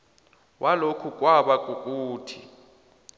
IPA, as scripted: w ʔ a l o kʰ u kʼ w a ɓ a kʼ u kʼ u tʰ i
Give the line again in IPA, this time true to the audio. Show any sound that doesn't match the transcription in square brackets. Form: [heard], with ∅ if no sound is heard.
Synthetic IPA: w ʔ a l o kʰ u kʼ w a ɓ a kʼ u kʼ [uː] tʰ i